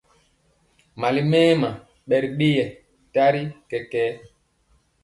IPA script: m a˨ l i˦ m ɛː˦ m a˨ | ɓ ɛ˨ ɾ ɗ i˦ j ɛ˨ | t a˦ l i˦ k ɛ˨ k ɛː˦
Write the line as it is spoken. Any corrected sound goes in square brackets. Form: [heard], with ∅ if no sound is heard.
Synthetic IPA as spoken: m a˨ l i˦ m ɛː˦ m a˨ | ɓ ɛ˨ ɾ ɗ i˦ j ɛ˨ | t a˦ [ɾ] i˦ k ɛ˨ k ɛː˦